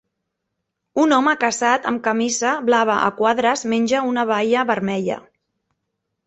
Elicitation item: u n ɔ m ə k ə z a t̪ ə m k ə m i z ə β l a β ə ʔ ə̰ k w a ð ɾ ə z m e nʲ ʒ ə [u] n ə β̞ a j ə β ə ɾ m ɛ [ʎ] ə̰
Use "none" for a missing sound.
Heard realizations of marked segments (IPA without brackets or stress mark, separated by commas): u, ʎ